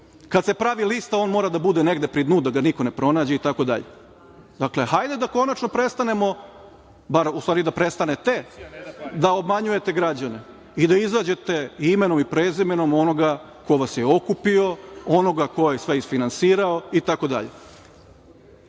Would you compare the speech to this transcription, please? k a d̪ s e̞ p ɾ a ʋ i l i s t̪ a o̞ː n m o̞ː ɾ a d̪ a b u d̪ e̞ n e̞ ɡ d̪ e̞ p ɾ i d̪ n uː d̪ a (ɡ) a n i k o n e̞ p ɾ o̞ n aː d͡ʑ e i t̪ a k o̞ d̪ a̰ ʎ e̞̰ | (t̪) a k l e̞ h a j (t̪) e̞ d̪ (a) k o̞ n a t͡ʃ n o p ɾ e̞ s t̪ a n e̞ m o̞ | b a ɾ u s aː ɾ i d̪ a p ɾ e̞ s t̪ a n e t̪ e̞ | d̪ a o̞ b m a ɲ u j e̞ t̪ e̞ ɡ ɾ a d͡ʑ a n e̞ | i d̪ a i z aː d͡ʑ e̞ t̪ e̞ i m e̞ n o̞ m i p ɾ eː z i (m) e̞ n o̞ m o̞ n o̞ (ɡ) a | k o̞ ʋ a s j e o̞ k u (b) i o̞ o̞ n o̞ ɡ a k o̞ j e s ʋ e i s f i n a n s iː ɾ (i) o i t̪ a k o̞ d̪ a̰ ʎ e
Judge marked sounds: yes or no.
yes, no, no, yes, yes, yes, no, no

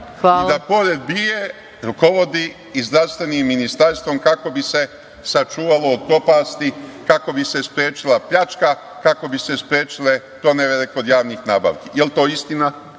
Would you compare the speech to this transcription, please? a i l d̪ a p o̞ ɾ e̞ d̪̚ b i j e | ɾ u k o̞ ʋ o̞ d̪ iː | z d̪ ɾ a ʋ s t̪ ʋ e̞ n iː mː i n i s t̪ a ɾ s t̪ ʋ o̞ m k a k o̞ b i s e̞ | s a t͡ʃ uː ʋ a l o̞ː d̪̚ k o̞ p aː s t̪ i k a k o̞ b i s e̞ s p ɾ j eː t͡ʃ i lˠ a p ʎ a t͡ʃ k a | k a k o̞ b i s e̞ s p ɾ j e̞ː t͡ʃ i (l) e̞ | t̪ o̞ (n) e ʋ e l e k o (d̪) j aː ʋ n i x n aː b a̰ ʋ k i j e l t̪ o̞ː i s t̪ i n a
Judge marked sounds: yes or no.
yes, yes, yes

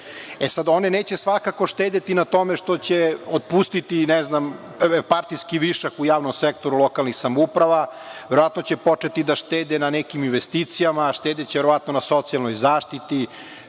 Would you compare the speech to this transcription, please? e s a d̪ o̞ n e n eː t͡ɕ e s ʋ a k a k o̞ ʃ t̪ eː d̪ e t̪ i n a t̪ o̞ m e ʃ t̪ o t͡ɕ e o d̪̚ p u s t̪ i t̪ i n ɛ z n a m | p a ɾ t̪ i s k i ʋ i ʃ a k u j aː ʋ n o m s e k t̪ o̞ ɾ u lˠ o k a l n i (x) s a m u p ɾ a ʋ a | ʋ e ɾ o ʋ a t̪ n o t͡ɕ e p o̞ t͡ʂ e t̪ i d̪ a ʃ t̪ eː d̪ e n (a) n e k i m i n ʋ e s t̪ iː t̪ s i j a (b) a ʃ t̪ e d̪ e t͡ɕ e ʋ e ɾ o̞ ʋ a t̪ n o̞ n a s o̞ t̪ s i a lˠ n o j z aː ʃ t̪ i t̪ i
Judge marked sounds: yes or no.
yes, yes, no

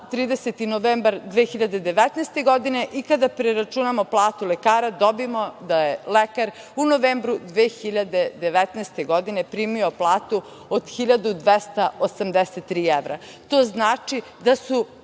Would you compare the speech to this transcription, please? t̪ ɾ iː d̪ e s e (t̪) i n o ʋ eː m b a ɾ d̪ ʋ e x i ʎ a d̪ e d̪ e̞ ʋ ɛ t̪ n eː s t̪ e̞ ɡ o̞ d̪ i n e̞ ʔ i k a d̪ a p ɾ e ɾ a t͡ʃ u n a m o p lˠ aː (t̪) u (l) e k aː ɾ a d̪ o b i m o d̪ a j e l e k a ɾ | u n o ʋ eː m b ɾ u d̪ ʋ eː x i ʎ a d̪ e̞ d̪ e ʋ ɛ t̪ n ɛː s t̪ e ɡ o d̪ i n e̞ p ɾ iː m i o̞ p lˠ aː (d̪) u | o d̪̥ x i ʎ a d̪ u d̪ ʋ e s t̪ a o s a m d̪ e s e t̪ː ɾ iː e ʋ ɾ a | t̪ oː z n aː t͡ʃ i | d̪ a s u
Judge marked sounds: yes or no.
yes, yes, yes, no

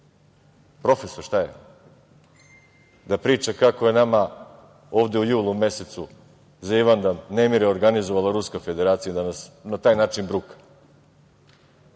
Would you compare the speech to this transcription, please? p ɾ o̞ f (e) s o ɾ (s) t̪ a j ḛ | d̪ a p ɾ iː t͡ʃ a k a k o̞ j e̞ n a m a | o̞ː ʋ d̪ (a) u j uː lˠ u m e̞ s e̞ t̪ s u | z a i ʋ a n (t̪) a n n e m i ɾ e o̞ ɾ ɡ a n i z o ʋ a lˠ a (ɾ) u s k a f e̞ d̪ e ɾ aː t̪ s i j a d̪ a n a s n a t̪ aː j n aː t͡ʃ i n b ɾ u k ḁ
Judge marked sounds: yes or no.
yes, no, no, no, yes

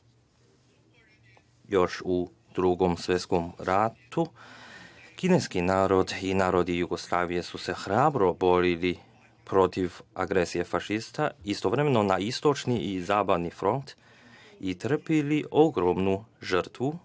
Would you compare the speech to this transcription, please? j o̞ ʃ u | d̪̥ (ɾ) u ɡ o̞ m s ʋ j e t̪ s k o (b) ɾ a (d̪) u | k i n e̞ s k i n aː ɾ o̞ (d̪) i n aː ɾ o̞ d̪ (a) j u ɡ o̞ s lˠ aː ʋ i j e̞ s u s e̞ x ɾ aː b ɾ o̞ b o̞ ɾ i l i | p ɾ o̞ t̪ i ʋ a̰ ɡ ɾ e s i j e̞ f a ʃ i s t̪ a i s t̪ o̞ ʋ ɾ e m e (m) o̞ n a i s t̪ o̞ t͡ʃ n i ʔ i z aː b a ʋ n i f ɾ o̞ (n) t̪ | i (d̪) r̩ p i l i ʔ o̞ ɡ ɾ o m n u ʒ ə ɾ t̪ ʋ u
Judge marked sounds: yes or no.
yes, no, no, yes, no, no, yes, no

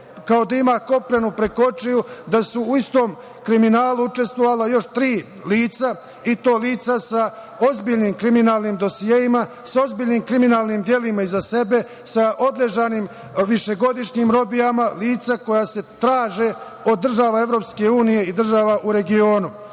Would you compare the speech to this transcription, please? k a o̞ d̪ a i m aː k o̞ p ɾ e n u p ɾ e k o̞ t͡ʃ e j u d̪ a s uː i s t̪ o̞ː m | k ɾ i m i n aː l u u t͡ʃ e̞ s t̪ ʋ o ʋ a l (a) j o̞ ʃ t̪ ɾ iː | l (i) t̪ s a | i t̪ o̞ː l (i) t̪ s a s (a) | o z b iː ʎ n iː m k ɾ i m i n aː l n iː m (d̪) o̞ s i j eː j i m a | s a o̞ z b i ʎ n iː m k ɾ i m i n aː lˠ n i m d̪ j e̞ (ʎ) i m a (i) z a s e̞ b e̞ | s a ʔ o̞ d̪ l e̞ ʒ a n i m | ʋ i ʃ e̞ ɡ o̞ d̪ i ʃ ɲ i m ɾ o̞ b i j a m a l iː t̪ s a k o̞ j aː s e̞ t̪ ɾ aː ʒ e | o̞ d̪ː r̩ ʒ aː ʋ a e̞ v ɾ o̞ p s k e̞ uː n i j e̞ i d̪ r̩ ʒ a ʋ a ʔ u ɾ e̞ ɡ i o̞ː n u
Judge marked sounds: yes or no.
yes, no, no, yes, yes, no, yes

